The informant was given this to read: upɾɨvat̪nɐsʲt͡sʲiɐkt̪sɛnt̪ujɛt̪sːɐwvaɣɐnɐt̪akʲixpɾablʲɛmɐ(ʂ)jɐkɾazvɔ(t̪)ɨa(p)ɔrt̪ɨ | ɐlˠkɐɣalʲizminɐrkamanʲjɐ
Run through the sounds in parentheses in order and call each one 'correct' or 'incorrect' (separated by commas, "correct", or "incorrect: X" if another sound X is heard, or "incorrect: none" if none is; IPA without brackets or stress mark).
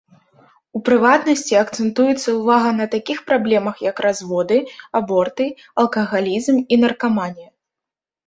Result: incorrect: x, incorrect: d̪, incorrect: b